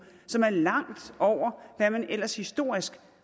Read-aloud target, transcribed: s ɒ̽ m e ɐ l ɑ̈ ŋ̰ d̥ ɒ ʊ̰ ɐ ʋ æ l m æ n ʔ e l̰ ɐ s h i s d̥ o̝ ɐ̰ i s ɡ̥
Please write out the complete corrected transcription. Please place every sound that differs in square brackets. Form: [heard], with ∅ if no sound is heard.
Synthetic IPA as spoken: s ɒ̽ m [æ] ɐ l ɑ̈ ŋ̰ d̥ ɒ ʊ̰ ɐ ʋ æ [∅] m æ n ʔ e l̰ ɐ s h i s d̥ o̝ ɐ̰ i s ɡ̥

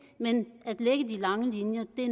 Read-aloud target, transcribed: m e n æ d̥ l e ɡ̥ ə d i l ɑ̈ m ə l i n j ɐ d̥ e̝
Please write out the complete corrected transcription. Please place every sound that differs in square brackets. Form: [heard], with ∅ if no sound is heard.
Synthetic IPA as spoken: m e n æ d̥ l e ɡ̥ ə d i l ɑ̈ [ŋ] ə l i n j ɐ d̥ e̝

